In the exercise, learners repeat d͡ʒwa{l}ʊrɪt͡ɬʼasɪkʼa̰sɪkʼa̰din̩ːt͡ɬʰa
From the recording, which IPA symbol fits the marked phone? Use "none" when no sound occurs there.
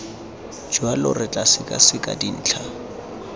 l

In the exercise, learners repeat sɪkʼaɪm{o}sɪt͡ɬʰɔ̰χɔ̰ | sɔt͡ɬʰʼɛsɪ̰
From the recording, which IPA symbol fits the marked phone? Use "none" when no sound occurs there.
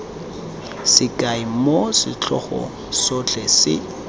o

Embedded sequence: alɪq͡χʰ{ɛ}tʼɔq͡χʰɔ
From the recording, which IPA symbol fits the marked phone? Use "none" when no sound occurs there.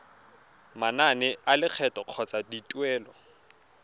ɛ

